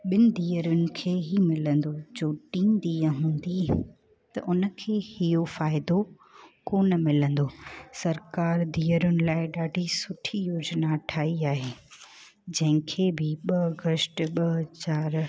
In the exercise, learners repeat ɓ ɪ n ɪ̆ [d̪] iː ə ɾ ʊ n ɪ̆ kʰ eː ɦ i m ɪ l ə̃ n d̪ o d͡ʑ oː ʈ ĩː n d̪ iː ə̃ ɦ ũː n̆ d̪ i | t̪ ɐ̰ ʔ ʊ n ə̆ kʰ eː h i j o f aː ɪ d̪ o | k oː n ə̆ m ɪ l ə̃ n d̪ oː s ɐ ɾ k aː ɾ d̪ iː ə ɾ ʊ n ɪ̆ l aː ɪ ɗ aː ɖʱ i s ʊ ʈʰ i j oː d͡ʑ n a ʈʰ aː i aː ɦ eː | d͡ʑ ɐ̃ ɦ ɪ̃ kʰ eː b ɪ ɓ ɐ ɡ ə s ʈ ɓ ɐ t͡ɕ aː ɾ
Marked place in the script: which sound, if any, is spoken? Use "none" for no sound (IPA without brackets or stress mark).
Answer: d̪